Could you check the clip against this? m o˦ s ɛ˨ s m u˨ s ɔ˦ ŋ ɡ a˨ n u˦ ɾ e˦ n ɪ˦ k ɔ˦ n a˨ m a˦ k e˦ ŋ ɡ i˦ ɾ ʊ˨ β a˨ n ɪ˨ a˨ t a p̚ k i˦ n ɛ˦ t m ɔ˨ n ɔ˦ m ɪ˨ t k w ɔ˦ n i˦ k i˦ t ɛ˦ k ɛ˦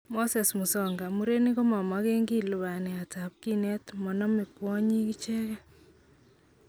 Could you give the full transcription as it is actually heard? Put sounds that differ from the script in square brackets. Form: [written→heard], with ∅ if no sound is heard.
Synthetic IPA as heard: m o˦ s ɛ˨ s m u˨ s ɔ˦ ŋ ɡ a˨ [n→m] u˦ ɾ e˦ n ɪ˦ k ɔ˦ [n→m] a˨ m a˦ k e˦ ŋ ɡ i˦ [ɾ→l] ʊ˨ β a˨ n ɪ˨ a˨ t a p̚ k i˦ n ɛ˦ t m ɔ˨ n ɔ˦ m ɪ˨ [t→∅] k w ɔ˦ [n→ɲ] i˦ k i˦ [t→t͡ʃ] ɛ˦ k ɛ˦